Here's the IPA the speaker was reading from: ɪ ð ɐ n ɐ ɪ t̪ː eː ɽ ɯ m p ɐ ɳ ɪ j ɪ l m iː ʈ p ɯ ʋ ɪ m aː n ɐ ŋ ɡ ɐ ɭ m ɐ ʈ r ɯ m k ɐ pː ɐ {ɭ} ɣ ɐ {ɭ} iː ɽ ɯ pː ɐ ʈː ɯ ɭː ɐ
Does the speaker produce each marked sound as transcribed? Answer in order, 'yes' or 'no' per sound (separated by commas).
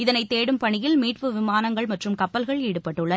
no, yes